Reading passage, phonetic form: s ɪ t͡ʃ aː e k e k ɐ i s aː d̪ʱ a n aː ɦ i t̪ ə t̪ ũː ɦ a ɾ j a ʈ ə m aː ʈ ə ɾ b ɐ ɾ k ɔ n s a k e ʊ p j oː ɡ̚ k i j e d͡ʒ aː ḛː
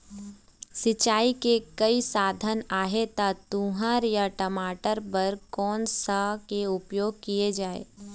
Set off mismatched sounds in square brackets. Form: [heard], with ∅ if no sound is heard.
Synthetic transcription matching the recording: s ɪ t͡ʃ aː [i] k e k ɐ i s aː d̪ʱ [ə] n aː ɦ [e] t̪ [a] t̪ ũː ɦ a ɾ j a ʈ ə m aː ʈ ə ɾ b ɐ ɾ k [ɔː] n s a k e ʊ p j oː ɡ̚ k i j e d͡ʒ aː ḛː